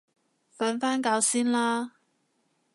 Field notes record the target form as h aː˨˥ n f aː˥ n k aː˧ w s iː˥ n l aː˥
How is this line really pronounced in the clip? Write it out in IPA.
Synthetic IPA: f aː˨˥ n f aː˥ n k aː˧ w s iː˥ n l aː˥